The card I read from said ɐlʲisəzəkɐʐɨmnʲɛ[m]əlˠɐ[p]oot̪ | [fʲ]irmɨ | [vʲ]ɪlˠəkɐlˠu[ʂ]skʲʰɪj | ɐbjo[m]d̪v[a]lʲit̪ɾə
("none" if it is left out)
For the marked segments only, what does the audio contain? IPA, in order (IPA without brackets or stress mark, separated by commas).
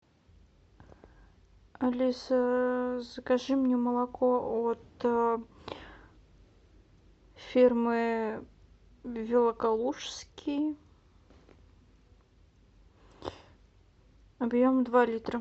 m, k, fʲ, vʲ, ʂ, m, a